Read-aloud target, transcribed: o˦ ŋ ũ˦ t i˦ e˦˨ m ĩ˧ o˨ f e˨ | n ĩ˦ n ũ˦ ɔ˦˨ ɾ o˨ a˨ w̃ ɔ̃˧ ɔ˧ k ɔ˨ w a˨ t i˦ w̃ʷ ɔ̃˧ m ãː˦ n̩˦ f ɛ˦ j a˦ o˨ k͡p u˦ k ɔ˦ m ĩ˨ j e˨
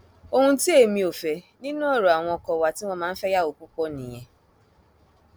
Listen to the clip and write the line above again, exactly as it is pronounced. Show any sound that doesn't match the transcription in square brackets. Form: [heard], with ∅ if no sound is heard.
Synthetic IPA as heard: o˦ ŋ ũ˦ t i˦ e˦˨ m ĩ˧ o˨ f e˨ | n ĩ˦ n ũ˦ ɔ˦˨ ɾ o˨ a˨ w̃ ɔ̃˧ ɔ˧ k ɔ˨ w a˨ t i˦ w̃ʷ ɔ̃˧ m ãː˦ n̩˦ f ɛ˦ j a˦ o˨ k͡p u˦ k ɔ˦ [n] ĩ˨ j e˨